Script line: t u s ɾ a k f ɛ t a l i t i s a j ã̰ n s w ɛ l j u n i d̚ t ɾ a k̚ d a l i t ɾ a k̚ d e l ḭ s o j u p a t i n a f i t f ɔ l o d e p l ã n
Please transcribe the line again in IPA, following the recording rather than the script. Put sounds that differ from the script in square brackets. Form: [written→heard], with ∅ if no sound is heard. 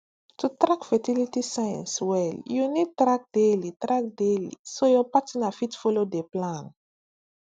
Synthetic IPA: t u [s→t] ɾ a k f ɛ t [a→i] l i t i s a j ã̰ n s w ɛ l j u n i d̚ t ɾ a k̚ d [a→e] l i t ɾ a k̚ d e l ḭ s o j [u→ɔ] p a t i n a f i t f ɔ l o d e p l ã n